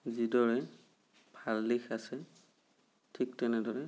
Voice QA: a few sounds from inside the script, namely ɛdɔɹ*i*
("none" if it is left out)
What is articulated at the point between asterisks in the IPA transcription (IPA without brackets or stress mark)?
ɛ